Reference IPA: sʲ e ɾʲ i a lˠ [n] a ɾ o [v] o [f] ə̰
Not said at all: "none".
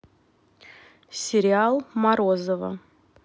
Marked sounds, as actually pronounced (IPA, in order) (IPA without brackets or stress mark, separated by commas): m, z, v